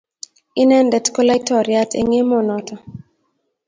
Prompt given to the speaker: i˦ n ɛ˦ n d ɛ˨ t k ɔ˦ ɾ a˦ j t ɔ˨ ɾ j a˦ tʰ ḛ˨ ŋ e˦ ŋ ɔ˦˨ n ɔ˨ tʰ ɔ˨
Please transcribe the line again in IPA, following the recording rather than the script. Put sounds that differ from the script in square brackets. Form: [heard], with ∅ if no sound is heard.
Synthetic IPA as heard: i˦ n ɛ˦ n d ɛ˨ t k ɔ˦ [l] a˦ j t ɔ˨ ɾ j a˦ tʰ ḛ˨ ŋ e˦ [m] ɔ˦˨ n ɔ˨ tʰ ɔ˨

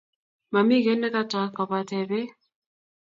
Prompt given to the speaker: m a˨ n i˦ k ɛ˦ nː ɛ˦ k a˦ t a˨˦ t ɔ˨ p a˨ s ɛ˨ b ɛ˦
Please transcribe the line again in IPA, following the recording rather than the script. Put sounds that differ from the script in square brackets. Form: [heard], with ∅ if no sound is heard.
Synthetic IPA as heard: m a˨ [m] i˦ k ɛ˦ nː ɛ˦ k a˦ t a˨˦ [k] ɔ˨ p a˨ [t] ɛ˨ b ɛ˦

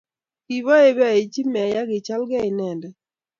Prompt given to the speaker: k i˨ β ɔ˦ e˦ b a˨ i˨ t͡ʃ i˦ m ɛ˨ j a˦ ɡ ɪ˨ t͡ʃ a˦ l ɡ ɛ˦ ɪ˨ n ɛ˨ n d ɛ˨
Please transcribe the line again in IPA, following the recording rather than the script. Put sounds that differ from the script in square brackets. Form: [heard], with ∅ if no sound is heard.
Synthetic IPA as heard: k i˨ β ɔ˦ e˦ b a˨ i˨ t͡ʃ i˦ m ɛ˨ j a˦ ɡ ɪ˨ t͡ʃ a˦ l ɡ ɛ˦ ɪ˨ n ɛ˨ n d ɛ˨

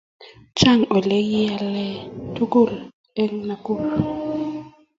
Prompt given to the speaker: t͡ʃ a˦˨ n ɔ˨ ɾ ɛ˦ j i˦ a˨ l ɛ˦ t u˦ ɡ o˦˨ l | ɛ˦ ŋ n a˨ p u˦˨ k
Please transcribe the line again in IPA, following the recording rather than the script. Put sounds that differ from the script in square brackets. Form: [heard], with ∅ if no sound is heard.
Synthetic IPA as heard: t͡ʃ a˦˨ [ŋ] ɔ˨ [l] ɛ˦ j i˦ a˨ l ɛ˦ t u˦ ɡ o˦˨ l | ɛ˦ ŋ n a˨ [k] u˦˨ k

